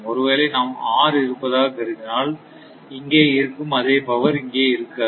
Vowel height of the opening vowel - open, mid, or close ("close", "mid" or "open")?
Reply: mid